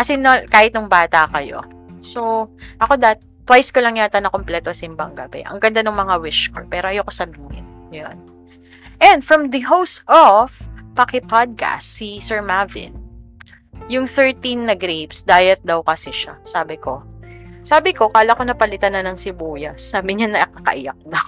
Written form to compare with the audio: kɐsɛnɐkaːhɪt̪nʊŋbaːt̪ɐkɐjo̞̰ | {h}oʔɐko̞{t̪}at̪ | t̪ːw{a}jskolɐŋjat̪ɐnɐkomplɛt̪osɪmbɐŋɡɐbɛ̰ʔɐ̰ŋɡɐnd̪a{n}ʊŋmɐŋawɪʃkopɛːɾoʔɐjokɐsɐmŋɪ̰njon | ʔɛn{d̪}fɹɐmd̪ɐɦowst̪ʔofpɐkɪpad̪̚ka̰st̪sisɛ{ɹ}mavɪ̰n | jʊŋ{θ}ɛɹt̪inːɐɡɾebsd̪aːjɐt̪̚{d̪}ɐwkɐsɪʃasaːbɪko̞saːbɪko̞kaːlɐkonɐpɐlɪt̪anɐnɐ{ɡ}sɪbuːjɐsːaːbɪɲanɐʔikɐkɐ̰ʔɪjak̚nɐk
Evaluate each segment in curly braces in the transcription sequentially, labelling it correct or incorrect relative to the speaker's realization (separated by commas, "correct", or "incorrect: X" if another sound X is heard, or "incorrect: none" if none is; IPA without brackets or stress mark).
incorrect: s, incorrect: d̪, correct, correct, correct, correct, correct, correct, incorrect: ŋ